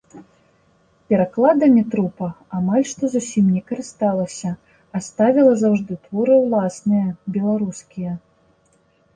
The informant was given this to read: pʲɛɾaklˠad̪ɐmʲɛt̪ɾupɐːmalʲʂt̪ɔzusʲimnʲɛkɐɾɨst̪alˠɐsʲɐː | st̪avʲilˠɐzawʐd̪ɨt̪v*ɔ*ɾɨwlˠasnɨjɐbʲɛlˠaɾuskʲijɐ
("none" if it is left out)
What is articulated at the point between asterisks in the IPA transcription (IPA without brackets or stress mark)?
ɔ